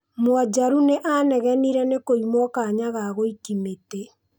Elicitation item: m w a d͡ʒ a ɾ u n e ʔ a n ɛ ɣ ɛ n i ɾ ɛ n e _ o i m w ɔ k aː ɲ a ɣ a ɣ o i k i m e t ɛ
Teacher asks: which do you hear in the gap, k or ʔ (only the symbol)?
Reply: k